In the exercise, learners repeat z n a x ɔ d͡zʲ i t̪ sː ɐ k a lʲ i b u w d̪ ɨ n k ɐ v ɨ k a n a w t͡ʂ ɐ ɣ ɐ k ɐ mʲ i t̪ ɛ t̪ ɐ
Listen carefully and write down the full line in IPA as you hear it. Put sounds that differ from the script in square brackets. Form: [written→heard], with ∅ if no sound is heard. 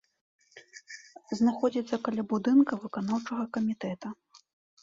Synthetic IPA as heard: z n a x ɔ d͡zʲ i t̪ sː ɐ k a lʲ [i→a] b u [w→∅] d̪ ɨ n k ɐ v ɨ k a n a w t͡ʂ ɐ ɣ ɐ k ɐ mʲ i t̪ ɛ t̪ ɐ